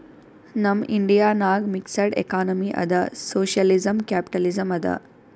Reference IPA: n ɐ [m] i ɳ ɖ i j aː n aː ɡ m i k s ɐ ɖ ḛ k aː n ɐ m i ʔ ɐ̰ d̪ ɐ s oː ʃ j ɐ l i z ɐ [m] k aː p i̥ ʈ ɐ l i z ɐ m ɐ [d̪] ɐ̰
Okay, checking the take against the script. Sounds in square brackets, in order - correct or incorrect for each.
correct, correct, correct

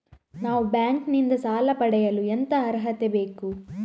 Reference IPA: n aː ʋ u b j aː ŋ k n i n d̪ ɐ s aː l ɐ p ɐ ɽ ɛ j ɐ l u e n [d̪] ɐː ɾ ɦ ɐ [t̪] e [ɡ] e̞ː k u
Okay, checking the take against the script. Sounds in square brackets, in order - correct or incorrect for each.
incorrect, correct, incorrect

